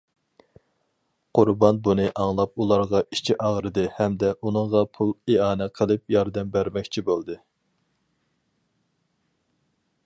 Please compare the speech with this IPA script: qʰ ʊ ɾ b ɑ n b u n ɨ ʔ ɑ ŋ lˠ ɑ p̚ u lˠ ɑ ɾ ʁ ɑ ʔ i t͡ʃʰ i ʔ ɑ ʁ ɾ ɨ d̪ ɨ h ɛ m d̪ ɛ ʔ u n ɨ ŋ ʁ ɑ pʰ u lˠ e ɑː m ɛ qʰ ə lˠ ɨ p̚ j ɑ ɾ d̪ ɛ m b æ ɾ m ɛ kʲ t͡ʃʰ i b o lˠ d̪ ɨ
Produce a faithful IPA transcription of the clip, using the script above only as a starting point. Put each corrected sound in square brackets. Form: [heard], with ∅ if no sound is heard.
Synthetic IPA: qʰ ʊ ɾ b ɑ n b u n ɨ ʔ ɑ ŋ lˠ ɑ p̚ u lˠ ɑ ɾ ʁ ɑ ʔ i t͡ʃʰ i ʔ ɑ ʁ ɾ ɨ d̪ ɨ h ɛ m d̪ ɛ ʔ u n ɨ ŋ ʁ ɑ pʰ u lˠ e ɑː [n] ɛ qʰ ə lˠ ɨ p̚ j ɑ ɾ d̪ ɛ m b æ ɾ m ɛ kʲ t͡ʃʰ i b o lˠ d̪ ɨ